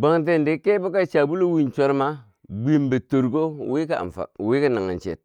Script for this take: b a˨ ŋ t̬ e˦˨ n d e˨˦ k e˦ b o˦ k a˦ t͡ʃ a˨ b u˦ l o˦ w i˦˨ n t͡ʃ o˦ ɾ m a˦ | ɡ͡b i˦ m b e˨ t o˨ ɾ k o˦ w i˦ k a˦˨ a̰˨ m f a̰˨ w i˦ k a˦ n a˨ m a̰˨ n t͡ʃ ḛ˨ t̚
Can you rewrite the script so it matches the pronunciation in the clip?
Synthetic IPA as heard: b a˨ ŋ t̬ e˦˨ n d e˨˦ k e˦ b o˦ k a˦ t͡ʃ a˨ b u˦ l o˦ w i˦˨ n t͡ʃ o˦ ɾ m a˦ | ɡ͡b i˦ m b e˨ t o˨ ɾ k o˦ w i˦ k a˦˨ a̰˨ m f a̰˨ w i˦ k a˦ n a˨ ŋ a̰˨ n t͡ʃ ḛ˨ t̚

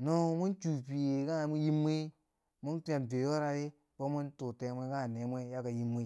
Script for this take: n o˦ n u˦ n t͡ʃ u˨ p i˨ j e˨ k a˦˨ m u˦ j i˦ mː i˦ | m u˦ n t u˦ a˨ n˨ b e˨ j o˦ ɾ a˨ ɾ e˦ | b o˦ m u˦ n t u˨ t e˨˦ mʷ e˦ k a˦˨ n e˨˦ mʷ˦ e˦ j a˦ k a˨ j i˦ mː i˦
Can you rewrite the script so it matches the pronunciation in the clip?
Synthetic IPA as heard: n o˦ m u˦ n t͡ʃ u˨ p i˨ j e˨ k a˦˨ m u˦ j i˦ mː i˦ | m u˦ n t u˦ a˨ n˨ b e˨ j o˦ ɾ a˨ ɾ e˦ | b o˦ m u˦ n t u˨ t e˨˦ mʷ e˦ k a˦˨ n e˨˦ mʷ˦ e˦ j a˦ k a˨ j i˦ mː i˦

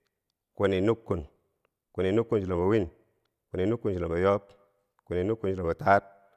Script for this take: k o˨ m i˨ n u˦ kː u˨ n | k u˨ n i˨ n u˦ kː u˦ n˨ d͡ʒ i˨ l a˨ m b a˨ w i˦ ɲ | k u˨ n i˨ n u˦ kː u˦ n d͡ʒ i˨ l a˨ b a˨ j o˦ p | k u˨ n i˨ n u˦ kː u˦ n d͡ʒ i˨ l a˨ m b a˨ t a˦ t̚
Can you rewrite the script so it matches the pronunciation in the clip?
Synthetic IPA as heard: k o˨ n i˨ n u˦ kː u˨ n | k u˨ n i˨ n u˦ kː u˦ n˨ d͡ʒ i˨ l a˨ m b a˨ w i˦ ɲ | k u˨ n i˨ n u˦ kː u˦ n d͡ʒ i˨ l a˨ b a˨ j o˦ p | k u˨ n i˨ n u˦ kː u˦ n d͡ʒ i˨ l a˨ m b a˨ t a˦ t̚

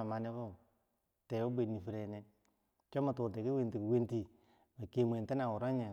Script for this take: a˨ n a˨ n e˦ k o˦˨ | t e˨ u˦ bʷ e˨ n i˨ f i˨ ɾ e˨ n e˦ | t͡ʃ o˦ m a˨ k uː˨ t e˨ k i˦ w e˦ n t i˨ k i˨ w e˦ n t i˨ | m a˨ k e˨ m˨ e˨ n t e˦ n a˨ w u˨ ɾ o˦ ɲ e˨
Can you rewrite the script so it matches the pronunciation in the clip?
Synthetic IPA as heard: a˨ m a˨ n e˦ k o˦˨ | t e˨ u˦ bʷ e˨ n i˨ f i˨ ɾ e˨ n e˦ | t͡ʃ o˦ m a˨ t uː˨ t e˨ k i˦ w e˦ n t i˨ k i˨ w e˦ n t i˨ | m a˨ k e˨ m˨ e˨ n t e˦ n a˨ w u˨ ɾ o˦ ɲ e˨

